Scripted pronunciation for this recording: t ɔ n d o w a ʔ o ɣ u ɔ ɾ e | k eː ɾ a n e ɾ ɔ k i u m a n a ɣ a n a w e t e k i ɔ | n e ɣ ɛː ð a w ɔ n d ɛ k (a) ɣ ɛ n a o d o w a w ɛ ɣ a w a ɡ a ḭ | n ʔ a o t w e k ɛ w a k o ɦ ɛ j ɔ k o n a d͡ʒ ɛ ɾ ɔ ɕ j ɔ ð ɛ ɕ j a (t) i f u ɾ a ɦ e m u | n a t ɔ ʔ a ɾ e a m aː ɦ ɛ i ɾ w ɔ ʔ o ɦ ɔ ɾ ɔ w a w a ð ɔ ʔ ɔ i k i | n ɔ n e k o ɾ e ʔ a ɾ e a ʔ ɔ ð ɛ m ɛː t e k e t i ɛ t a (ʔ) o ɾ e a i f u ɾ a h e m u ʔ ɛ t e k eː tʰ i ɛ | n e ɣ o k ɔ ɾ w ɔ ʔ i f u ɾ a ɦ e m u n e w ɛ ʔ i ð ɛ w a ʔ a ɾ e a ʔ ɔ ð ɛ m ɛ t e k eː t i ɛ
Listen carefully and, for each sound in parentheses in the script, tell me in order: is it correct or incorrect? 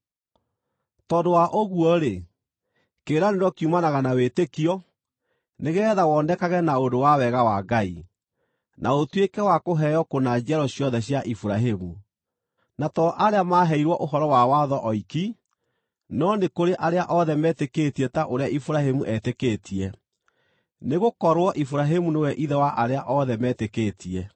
correct, incorrect, correct

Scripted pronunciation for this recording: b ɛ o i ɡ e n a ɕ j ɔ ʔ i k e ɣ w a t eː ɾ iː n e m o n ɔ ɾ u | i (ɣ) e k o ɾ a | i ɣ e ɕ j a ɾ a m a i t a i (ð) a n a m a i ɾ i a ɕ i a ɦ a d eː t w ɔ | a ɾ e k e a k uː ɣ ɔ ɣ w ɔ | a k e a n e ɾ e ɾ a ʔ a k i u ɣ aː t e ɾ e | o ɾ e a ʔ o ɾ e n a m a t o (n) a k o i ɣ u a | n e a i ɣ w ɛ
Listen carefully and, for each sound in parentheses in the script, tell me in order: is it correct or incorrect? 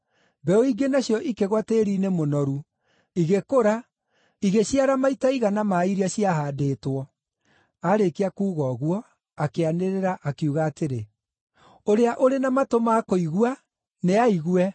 correct, incorrect, incorrect

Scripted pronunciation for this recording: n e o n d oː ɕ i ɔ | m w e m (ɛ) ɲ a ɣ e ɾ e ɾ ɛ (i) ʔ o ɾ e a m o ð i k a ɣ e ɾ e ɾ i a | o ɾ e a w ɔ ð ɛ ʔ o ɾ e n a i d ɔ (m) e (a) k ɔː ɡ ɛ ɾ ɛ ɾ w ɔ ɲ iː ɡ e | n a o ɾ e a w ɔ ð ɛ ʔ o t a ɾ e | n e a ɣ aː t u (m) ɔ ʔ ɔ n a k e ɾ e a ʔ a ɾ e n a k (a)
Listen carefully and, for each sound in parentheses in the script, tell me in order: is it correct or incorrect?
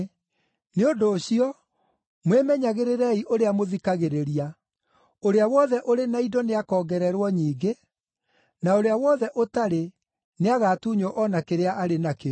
correct, correct, incorrect, correct, incorrect, incorrect

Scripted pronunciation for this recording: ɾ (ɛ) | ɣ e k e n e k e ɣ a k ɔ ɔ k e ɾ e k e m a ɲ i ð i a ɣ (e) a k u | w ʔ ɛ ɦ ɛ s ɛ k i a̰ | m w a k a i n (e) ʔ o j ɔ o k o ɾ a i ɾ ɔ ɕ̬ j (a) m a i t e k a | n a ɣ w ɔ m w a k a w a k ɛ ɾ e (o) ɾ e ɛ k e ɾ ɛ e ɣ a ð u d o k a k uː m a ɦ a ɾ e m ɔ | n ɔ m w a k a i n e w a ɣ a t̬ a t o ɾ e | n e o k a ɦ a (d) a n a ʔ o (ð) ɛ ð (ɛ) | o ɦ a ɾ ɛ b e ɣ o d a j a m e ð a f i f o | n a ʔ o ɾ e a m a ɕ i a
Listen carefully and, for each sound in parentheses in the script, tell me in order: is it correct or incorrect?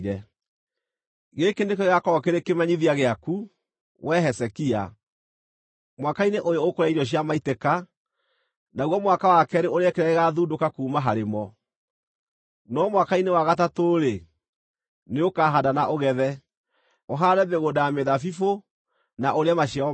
correct, correct, correct, correct, correct, correct, incorrect, correct

